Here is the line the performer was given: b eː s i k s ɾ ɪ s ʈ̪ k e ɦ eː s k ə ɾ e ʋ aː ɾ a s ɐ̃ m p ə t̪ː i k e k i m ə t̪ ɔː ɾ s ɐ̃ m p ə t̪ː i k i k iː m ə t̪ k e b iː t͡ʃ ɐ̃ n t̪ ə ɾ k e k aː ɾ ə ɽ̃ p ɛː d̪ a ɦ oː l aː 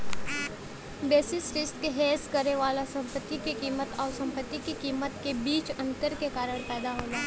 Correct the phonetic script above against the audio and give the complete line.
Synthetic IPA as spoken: b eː s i s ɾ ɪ s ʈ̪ k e ɦ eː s k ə ɾ e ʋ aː l a s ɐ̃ m p ə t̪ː i k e k iː m ə t̪ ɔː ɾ s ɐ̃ m p ə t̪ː i k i k iː m ə t̪ k e b iː t͡ʃ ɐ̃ n t̪ ə ɾ k e k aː ɾ ə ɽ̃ p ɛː d̪ a ɦ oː l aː